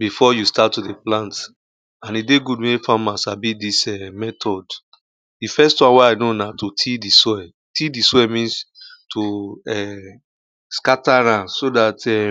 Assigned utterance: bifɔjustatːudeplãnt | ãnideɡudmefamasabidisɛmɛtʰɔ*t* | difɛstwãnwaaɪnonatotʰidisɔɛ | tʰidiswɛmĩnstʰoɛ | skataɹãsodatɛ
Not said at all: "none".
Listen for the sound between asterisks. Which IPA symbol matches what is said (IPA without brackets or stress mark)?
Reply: d